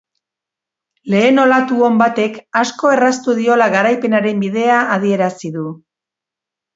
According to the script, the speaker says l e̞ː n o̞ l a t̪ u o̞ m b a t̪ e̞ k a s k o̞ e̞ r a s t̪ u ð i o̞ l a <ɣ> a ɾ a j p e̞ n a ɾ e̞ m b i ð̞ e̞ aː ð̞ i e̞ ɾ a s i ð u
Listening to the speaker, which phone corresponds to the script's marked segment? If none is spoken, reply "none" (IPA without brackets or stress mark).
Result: ɣ